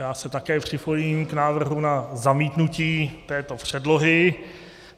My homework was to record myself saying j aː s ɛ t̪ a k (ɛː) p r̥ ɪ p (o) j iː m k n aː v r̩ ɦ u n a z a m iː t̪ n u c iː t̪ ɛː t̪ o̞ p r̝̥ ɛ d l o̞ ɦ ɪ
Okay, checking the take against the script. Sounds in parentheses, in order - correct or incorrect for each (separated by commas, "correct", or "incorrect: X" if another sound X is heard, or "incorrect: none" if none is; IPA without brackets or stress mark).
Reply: correct, correct